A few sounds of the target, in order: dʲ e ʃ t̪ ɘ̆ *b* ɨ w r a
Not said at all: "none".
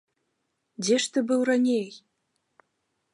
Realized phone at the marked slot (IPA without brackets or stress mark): b